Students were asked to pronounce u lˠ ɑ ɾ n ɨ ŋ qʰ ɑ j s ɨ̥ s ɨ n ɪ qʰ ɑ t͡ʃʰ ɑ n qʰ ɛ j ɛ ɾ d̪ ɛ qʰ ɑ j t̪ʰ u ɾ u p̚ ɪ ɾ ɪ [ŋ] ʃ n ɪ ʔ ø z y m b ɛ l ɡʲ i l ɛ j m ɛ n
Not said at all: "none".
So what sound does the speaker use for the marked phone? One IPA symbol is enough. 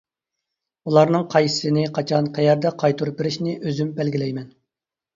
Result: none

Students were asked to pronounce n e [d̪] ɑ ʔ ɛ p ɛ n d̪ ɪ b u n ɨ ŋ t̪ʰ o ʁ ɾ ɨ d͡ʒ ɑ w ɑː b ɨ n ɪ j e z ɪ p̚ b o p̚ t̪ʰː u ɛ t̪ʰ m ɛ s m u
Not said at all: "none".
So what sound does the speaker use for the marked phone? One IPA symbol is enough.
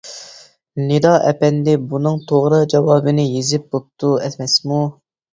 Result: d̪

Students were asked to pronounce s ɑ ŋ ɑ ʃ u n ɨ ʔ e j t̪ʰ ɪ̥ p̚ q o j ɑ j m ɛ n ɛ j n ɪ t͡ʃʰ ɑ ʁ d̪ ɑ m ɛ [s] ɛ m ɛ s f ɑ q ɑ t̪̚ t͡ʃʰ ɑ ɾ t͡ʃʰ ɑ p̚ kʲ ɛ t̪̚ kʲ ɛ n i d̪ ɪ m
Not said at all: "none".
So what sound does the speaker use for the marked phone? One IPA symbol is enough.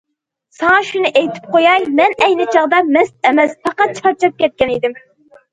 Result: s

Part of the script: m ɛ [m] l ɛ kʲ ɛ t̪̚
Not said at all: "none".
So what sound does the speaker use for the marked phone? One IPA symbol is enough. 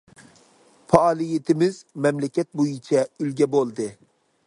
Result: m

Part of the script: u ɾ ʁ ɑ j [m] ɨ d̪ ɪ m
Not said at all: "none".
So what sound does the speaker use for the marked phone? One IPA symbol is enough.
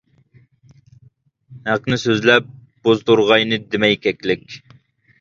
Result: n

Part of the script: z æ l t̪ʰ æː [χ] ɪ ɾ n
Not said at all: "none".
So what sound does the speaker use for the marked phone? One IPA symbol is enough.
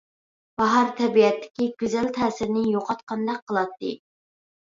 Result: s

